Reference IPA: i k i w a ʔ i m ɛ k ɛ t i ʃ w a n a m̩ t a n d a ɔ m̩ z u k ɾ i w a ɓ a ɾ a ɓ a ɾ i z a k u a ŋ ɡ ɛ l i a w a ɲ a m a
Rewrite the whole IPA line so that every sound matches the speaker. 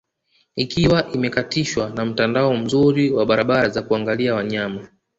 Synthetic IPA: i k i w a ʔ i m ɛ k a t i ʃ w a n a m̩ t a n d a ɔ m̩ z u ɾ i w a ɓ a ɾ a ɓ a ɾ a z a k u a ŋ ɡ a l i a w a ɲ a m a